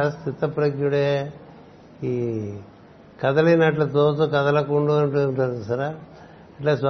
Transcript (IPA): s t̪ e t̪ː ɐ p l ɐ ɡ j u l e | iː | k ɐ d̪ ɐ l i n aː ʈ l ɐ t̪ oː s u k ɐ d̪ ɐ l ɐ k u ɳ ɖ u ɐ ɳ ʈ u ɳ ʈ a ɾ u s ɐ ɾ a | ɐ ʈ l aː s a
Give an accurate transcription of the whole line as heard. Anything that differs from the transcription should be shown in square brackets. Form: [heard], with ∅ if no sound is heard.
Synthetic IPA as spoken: s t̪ [i] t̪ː ɐ p [ɾ] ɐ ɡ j u [ɽ] e | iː | k ɐ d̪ ɐ l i n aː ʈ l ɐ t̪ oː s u k ɐ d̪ ɐ l ɐ k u ɳ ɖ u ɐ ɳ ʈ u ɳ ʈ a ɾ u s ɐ ɾ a | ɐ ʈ l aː s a